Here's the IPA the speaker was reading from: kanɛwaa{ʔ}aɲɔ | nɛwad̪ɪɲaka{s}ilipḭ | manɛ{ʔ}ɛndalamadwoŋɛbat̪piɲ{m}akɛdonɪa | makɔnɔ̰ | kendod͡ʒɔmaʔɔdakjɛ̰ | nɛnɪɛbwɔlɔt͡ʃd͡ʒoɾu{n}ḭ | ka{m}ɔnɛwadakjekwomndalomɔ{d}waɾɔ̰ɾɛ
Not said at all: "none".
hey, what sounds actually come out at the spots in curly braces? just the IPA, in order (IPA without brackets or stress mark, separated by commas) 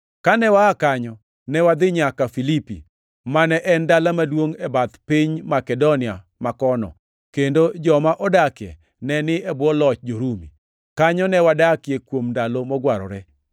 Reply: k, f, ʔ, m, m, ɲ, ɡ